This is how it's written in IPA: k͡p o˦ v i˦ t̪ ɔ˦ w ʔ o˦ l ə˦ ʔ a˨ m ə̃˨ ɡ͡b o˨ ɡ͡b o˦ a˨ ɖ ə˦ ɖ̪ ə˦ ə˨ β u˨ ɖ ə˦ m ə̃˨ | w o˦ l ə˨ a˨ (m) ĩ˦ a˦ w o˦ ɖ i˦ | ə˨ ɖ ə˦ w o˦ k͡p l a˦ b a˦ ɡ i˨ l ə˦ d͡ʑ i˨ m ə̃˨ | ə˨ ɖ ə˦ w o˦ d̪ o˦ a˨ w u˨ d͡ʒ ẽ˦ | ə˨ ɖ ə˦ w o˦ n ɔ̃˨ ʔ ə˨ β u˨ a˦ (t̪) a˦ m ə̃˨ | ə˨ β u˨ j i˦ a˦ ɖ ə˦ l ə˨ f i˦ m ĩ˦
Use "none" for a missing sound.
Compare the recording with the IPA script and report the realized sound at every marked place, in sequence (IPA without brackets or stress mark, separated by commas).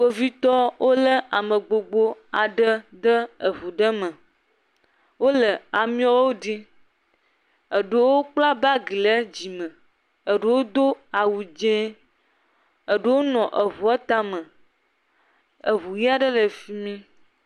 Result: m, t̪